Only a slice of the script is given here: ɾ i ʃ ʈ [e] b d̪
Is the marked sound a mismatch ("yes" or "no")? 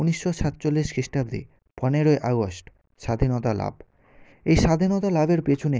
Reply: yes